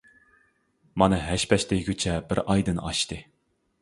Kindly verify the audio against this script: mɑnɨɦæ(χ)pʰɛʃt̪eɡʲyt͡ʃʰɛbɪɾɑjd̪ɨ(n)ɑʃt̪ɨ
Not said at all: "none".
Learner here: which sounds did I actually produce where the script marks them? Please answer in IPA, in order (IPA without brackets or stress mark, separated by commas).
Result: ʃ, n